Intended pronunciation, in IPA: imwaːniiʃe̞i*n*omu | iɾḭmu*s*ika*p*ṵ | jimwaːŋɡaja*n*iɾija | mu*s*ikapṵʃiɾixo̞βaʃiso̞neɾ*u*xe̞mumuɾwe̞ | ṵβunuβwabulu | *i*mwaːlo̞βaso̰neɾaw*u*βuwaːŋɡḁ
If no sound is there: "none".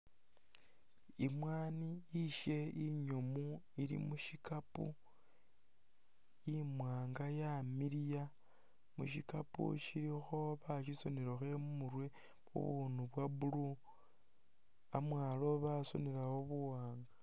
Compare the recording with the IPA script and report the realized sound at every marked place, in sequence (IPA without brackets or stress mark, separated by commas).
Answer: ɲ, ʃ, p, m, ʃ, o, a, o